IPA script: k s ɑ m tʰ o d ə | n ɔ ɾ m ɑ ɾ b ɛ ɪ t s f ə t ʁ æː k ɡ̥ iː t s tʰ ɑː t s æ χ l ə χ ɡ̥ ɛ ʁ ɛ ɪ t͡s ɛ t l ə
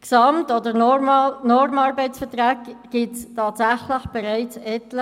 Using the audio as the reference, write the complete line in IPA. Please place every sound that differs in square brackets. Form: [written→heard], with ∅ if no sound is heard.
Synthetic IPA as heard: k s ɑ m [tʰ→t] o d ə | n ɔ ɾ m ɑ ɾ b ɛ ɪ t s f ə t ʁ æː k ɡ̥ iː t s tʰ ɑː t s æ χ l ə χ [ɡ̥→b̥] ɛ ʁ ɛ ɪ t͡s ɛ t l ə

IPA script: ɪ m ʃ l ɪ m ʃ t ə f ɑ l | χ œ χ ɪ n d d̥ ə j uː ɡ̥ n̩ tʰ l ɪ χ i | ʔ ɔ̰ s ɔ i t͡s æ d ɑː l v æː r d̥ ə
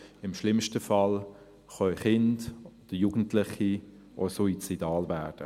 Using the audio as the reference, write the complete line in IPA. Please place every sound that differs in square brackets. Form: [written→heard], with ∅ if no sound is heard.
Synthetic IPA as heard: ɪ m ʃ l ɪ m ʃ t ə f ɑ l | χ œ χ ɪ n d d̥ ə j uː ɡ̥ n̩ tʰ l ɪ χ i | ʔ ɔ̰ s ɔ i t͡s [æ→i] d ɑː l v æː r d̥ ə

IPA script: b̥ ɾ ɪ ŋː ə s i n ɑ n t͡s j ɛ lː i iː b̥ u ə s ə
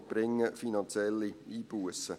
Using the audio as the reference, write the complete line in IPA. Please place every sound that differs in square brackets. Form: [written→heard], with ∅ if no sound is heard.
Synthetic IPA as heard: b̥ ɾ ɪ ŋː ə [s→f] i n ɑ n t͡s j ɛ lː i iː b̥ u ə s ə

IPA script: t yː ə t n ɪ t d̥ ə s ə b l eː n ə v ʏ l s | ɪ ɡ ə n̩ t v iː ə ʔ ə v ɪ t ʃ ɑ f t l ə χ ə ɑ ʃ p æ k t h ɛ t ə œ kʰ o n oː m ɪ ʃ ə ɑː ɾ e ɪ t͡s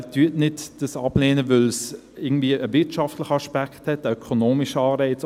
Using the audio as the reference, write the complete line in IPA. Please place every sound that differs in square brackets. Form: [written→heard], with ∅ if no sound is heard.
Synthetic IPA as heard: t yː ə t n ɪ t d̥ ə s [ə→ɑ] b l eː n ə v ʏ l s | ɪ ɡ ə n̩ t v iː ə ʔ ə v ɪ t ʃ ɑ f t l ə χ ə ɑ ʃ p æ k t h ɛ t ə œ kʰ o n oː m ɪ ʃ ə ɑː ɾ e ɪ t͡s

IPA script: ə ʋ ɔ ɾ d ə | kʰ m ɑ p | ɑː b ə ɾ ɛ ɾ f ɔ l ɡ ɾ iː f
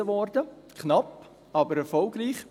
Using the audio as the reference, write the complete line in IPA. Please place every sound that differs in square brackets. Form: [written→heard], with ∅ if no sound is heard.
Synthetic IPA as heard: ə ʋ ɔ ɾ d ə | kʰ [m→n] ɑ p | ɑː b ə ɾ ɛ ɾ f ɔ l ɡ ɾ iː [f→χ]

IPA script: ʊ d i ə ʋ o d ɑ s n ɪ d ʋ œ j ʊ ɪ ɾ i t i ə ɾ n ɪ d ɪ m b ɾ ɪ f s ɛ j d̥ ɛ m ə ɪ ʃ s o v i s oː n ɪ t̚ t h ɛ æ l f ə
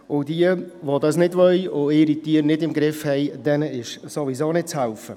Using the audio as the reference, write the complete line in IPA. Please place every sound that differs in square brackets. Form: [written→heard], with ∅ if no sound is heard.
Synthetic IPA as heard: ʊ d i ə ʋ o d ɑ s n ɪ d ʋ œ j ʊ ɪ ɾ i t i ə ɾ n ɪ d ɪ m [b→ɡ] ɾ ɪ f [s→h] ɛ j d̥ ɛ [m→n] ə ɪ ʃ s o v i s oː n ɪ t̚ [t→t͡s] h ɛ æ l f ə

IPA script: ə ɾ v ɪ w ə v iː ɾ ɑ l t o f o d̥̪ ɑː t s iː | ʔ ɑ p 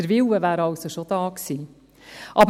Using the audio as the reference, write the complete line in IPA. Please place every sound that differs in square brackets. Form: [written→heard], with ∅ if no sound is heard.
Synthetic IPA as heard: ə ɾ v ɪ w ə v [iː→æː] ɾ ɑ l [t→s] o [f→ʃ] o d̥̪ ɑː [t→k] s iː | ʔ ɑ [p→b]

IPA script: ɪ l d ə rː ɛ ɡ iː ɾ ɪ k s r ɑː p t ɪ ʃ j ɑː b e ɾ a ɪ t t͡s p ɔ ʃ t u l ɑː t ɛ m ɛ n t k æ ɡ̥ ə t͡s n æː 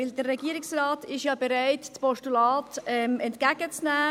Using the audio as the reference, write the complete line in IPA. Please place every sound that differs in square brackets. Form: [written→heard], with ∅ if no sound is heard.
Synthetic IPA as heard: ɪ l d ə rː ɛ ɡ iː ɾ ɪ k s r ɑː [p→∅] t ɪ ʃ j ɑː b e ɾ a ɪ t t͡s p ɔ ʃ t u l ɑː t ɛ m ɛ n t k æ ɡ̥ ə t͡s n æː

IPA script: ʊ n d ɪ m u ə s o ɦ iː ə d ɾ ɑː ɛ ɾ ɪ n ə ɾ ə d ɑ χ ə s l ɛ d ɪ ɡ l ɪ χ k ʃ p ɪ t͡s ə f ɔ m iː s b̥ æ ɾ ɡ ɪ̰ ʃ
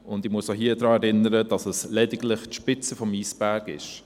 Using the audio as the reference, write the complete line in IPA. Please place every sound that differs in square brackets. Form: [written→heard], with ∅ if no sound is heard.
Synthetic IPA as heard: ʊ n d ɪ m u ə s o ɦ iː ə d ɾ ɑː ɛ ɾ ɪ n ə ɾ ə d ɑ [χ→s] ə s l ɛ d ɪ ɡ l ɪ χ [k→t] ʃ p ɪ t͡s ə f ɔ m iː s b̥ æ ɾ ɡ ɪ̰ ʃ

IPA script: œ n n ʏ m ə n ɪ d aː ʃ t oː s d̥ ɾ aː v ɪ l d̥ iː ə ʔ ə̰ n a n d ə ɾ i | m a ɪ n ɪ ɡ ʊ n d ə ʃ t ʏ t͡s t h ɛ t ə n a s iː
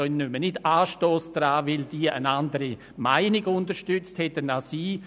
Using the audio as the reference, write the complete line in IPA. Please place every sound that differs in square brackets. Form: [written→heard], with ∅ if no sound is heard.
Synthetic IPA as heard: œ n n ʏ m ə n ɪ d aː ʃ t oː s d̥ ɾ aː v ɪ l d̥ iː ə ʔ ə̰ n a n d ə ɾ i | m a ɪ n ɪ ɡ ʊ n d ə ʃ t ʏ t͡s t h ɛ t ə n a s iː

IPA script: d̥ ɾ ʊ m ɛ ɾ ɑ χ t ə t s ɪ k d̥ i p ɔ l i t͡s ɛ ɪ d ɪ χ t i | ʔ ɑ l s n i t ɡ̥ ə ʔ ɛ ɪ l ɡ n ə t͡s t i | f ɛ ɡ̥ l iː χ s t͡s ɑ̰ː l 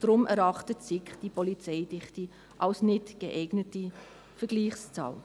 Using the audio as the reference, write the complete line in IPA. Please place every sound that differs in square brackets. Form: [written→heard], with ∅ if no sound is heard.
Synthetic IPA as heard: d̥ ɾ ʊ m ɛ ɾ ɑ χ t ə t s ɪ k d̥ i p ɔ l i t͡s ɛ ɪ d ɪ χ t i | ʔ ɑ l s n [i→ɪ] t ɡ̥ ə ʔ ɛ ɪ [l→∅] ɡ n ə [t͡s→∅] t i | f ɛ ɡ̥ l iː χ s t͡s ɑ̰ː l

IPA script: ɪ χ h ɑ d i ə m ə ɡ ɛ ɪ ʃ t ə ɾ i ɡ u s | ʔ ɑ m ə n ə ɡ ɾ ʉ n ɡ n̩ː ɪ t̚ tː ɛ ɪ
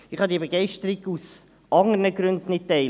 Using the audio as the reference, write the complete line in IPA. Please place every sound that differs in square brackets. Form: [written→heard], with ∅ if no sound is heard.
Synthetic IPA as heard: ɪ χ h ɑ d i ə [m→b] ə ɡ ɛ ɪ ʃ t ə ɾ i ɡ u s | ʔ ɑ [m→ŋ] ə n ə ɡ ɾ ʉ n [ɡ→d] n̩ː ɪ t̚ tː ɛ ɪ

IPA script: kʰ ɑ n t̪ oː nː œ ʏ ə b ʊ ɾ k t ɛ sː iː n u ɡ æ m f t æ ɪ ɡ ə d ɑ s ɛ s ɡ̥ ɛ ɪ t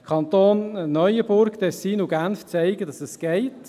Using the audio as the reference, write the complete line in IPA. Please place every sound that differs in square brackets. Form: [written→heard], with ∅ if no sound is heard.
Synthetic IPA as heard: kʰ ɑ n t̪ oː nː œ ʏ ə b ʊ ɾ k t ɛ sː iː n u ɡ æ [m→n] f [t→t͡s] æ ɪ ɡ ə d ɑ s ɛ s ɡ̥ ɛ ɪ t

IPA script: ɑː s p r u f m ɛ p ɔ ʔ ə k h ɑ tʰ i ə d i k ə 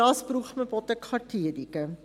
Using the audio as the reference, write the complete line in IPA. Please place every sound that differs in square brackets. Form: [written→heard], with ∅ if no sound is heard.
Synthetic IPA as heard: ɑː s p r u [f→χ] m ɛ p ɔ [ʔ→t] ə k [h→χ] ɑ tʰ i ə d i k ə

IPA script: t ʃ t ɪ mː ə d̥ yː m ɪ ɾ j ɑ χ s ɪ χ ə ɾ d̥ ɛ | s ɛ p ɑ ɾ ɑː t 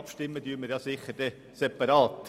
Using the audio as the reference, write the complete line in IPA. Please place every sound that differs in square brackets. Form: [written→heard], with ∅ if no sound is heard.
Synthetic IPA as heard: [t→p] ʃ t ɪ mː ə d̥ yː m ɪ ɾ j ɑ [χ→∅] s ɪ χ ə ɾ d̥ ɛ | s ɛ p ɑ ɾ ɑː t

